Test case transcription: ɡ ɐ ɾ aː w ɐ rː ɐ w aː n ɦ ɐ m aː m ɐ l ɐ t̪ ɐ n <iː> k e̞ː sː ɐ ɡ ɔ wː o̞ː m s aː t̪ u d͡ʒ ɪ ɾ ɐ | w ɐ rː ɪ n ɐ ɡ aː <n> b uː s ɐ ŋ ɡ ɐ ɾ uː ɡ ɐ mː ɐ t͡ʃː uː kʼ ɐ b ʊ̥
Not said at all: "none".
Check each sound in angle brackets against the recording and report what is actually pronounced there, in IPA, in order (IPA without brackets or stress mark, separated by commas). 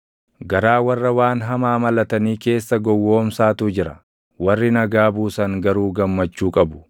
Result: iː, none